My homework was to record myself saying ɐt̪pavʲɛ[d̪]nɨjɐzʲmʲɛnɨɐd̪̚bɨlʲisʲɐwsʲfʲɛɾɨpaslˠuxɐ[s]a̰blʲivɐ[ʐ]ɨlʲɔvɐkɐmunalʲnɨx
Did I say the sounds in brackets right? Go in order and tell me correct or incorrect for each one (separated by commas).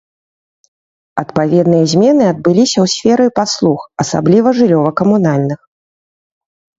correct, correct, correct